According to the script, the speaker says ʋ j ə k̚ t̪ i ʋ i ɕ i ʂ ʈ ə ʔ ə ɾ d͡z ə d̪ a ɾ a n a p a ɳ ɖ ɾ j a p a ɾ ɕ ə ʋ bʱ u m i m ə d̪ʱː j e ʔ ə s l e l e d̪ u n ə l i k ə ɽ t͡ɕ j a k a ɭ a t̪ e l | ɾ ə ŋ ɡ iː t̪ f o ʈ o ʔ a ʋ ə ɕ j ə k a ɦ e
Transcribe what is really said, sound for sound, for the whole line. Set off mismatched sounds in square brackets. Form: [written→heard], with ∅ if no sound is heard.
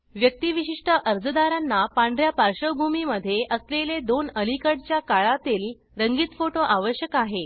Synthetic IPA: ʋ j ə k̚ t̪ i ʋ i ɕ i ʂ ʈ ə ʔ ə ɾ d͡z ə d̪ a ɾ a [n→nː] a p a ɳ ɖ ɾ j a p a ɾ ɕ ə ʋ bʱ u m i m ə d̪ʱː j e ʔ ə s l e l e d̪ [u→o] n ə l i k ə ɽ t͡ɕ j a k a ɭ a t̪ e l | ɾ ə ŋ ɡ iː t̪ f o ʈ o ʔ a ʋ ə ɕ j ə k a ɦ e